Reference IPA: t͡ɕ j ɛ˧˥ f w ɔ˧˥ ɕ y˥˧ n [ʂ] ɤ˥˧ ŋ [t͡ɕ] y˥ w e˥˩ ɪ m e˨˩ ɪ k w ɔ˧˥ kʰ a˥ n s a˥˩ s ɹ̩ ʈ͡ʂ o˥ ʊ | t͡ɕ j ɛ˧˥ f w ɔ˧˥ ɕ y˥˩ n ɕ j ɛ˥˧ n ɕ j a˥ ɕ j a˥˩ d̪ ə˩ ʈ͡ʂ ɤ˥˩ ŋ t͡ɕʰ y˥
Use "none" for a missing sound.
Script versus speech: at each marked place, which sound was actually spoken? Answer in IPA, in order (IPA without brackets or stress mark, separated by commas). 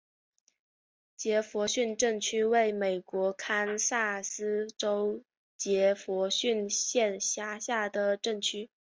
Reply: ʈ͡ʂ, t͡ɕʰ